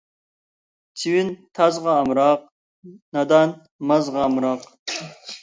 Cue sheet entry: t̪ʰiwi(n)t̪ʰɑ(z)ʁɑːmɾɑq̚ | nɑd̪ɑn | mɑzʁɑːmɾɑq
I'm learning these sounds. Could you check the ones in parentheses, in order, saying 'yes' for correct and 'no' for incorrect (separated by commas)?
yes, yes